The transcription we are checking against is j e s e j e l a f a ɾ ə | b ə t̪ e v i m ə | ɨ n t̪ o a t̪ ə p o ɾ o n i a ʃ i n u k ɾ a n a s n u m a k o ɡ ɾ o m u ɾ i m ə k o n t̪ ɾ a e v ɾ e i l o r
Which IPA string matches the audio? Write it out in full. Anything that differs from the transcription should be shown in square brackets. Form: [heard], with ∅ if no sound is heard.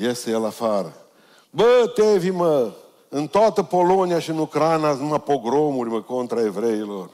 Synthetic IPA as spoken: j e s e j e l a f a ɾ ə | b ə t̪ e v i m ə | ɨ n t̪ o a t̪ ə p o [l] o n i a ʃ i n u k ɾ a n a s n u m a [p] o ɡ ɾ o m u ɾ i m ə k o n t̪ ɾ a e v ɾ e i l o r